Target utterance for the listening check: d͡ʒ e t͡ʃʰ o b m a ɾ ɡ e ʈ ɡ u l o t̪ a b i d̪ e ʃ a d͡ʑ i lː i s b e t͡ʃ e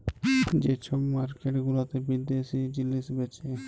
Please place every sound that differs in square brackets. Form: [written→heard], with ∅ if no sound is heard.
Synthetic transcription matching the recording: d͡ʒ e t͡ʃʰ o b m a ɾ [ɡ→k] e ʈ ɡ u l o t̪ [a→e] b i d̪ e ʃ [a→i] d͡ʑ i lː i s b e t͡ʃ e